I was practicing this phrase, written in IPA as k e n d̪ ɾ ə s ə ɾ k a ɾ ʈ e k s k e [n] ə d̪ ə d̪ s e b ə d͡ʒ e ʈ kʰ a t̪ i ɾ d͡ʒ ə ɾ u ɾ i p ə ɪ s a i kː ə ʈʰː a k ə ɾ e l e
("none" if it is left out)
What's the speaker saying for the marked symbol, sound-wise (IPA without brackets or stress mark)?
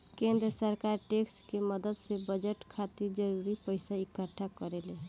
m